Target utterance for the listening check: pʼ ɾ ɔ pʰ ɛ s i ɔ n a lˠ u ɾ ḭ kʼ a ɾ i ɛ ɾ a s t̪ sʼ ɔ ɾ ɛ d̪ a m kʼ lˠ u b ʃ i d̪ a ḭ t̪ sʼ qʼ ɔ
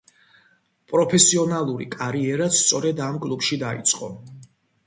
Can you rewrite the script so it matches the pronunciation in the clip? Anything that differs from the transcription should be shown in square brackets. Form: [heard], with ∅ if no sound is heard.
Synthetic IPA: pʼ ɾ ɔ pʰ ɛ s i ɔ n a lˠ u ɾ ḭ kʼ a ɾ i ɛ ɾ a s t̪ sʼ ɔ ɾ ɛ d̪ a m kʼ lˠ u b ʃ i d̪ a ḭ t̪ sʼ qʼ ɔ